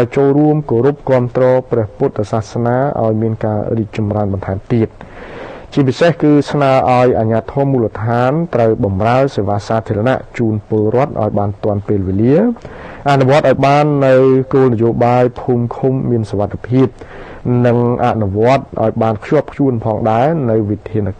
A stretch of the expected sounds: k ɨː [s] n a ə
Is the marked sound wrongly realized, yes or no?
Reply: no